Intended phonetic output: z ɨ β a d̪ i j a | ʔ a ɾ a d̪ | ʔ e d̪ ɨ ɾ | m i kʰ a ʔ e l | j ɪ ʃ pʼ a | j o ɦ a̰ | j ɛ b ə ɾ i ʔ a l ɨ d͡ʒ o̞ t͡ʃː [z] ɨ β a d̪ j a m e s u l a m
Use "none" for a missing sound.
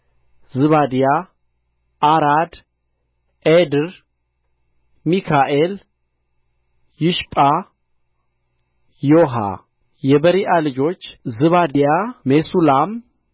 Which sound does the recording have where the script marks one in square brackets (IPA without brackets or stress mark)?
z